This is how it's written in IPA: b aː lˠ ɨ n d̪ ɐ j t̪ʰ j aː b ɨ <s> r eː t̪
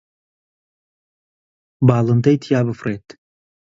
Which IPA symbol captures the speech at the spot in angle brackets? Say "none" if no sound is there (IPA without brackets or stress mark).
f